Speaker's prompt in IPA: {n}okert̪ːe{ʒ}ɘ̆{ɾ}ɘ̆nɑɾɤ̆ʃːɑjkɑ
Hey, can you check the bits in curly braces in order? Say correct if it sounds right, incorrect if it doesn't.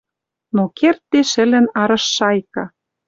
correct, incorrect: ʃ, incorrect: l

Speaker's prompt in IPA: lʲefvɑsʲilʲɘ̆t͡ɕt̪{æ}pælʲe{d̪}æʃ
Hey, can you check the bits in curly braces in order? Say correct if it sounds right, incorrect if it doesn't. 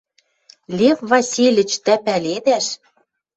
correct, correct

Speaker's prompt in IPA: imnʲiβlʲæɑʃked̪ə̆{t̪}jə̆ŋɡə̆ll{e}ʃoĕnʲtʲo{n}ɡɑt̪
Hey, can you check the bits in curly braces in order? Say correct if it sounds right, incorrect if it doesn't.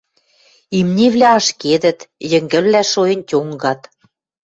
correct, incorrect: æ, incorrect: ŋ

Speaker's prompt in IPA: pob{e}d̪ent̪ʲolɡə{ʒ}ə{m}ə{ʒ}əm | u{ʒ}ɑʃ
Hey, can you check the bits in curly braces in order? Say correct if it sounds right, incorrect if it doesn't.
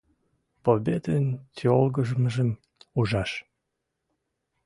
correct, correct, correct, correct, correct

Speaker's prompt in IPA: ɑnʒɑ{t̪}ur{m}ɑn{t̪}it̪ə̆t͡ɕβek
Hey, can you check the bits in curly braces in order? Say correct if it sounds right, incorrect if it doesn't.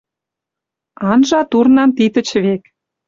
correct, incorrect: n, correct

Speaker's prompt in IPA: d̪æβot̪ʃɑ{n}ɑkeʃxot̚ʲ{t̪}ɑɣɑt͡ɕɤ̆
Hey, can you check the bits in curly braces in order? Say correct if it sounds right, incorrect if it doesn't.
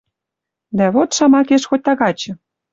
incorrect: m, correct

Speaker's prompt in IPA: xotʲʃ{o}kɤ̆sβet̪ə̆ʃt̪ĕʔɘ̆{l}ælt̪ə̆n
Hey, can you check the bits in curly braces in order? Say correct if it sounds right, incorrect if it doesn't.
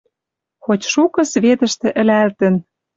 incorrect: u, correct

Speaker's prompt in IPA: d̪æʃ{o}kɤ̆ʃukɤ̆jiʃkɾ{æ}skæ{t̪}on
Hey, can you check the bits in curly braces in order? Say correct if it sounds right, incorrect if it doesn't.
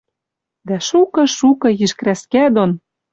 incorrect: u, correct, incorrect: d̪

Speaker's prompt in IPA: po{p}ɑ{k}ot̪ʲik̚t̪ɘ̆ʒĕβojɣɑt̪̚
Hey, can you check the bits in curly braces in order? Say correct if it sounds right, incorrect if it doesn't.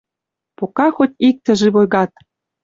incorrect: k, incorrect: x

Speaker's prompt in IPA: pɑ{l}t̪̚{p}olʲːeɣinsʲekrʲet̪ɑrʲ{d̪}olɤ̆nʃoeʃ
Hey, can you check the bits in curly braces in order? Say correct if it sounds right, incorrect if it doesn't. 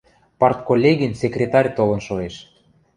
incorrect: r, incorrect: k, incorrect: t̪

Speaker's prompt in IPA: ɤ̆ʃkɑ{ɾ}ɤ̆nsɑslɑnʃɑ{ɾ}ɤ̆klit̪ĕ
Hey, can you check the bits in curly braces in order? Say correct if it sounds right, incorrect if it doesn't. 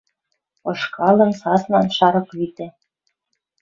incorrect: l, correct

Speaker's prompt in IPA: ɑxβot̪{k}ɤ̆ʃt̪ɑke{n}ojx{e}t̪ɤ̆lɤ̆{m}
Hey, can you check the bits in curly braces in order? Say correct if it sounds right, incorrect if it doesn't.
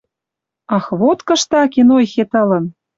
correct, correct, correct, incorrect: n

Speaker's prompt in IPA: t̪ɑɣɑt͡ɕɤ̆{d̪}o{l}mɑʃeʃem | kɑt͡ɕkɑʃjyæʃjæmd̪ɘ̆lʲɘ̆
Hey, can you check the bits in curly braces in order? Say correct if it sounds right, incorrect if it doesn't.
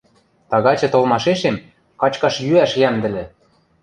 incorrect: t̪, correct

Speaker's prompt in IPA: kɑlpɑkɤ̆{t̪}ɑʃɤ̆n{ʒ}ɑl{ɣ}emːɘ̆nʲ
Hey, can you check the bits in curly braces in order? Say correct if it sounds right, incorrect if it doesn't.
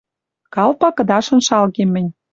incorrect: d̪, incorrect: ʃ, correct

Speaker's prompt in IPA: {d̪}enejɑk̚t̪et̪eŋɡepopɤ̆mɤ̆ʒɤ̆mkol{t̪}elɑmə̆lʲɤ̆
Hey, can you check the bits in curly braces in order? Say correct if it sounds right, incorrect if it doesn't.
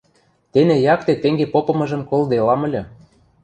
incorrect: t̪, incorrect: d̪

